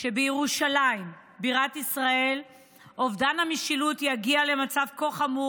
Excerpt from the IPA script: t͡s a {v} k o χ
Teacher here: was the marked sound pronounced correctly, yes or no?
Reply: yes